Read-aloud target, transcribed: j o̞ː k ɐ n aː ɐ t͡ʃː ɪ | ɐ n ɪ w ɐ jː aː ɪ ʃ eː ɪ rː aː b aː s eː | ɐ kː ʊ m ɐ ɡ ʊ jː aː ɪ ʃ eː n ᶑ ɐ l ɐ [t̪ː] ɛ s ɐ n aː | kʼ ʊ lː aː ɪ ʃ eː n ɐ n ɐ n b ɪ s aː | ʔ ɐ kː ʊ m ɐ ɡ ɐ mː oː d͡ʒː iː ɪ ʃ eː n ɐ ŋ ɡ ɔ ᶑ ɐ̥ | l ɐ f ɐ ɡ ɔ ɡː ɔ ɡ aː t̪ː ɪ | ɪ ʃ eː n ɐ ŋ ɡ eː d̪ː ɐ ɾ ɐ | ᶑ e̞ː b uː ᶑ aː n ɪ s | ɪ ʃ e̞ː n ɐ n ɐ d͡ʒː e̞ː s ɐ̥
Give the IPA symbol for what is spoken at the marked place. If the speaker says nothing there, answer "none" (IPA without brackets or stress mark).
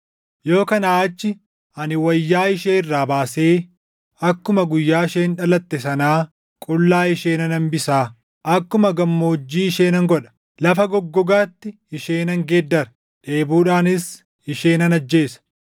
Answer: t̪ː